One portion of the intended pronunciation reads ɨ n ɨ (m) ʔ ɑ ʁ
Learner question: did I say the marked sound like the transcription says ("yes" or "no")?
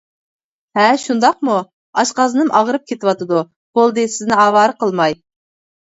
yes